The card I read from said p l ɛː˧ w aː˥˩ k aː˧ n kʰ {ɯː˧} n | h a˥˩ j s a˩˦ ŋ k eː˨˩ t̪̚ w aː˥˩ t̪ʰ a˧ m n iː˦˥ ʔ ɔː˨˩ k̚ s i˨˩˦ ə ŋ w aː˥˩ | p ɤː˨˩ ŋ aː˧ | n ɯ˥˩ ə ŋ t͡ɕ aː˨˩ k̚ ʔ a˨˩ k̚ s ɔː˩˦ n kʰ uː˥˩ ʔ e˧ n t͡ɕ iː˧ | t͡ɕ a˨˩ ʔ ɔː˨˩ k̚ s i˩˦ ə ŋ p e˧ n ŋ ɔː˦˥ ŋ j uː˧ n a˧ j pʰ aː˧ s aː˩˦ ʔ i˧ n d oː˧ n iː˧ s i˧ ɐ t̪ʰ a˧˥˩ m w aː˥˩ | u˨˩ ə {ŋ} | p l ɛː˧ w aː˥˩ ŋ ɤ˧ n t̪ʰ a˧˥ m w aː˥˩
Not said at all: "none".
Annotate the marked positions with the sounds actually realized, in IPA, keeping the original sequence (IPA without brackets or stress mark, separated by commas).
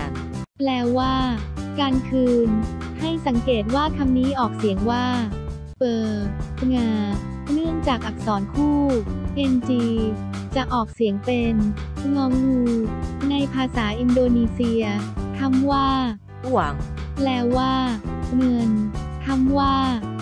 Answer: ɯː˧, ŋ